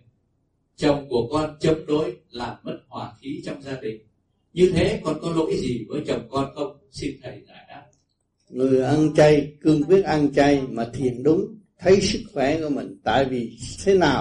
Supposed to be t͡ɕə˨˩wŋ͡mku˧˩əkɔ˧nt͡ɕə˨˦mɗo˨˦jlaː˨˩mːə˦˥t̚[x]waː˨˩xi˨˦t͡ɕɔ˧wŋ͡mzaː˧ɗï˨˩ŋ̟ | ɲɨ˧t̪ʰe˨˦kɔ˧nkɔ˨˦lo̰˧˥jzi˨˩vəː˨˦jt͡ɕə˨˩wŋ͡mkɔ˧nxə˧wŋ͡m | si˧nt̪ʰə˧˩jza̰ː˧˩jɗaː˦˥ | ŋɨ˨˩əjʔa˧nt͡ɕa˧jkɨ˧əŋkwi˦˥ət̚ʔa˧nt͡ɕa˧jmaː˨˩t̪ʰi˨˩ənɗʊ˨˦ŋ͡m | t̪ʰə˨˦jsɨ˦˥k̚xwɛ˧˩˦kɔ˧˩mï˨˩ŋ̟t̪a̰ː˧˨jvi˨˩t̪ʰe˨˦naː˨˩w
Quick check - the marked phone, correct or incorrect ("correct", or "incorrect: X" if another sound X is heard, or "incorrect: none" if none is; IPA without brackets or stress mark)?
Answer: incorrect: h